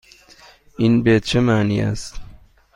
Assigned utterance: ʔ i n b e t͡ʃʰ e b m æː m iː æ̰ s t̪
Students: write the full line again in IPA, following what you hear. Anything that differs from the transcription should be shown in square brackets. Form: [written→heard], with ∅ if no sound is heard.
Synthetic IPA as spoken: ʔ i n b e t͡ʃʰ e [b→∅] m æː [m→n] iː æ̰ s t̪